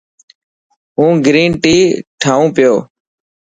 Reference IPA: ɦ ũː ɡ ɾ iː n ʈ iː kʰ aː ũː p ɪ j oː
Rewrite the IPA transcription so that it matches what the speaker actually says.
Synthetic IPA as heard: ɦ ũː ɡ ɾ iː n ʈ iː ʈʰ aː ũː p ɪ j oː